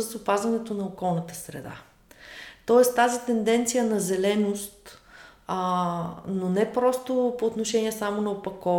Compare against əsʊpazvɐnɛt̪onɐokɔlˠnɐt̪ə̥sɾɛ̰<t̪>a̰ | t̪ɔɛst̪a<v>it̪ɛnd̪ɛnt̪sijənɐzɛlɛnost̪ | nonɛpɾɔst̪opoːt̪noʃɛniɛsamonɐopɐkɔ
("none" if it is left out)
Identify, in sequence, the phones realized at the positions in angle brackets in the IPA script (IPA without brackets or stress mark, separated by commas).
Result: d̪, z